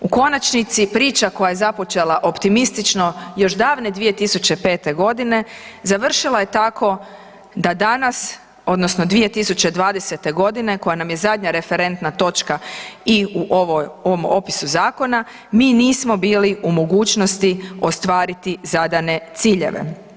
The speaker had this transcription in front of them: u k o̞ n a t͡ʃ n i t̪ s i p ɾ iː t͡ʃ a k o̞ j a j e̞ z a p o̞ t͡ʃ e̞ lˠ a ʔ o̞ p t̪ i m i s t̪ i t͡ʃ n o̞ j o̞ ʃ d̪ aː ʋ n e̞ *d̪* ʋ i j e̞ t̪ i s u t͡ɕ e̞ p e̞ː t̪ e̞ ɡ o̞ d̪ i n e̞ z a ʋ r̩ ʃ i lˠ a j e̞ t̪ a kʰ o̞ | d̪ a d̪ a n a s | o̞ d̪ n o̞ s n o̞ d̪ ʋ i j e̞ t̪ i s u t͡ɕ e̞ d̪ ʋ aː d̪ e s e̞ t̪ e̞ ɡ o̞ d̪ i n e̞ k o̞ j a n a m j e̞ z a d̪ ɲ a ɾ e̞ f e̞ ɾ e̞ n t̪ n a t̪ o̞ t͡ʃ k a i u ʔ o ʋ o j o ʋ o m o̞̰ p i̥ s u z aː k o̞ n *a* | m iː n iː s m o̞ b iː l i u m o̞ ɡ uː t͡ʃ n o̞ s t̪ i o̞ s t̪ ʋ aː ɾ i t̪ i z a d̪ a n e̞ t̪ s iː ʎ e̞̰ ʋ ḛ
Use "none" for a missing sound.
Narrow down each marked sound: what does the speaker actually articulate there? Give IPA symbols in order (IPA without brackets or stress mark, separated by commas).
d̪, a